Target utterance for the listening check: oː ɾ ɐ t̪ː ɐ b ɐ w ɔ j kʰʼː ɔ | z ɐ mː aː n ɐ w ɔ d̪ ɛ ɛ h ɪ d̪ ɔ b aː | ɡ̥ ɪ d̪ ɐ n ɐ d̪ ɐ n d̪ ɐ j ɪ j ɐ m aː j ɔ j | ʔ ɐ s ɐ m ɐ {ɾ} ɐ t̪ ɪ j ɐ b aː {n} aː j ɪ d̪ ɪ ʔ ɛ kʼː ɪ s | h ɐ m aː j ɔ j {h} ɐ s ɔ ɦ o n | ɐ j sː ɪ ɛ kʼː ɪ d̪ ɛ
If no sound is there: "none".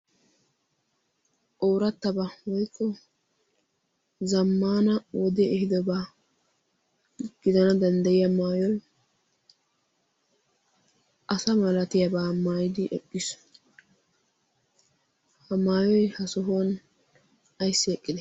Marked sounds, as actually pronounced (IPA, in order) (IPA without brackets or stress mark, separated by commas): l, m, h